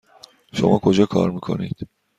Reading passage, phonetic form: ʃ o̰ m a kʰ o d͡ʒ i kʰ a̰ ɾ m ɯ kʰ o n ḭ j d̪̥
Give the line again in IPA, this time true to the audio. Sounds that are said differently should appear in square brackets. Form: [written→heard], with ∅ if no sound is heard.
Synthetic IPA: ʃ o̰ m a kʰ o d͡ʒ [i→a] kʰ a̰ ɾ m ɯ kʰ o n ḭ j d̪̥